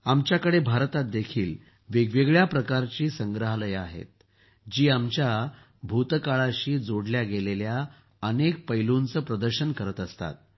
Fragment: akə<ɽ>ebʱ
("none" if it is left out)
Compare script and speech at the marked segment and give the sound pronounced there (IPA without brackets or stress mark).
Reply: ɽ